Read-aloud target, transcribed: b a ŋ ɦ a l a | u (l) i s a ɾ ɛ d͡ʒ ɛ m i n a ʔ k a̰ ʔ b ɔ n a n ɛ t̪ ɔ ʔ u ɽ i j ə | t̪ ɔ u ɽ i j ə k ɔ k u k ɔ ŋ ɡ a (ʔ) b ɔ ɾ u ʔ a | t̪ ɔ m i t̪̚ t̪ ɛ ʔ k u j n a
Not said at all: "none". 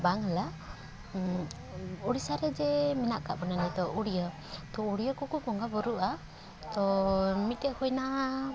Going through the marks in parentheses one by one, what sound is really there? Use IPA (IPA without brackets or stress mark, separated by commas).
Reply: ɽ, none